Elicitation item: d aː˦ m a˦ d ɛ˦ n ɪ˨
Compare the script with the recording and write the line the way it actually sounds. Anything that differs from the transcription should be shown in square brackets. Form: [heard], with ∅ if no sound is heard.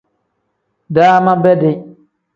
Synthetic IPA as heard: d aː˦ m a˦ [b] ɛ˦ [d] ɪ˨